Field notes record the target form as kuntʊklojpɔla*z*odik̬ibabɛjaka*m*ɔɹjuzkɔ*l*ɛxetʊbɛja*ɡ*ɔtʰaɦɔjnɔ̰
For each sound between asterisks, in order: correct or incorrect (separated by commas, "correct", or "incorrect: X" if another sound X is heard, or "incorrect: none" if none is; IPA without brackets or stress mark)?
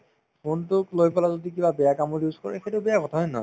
correct, correct, incorrect: ɹ, incorrect: k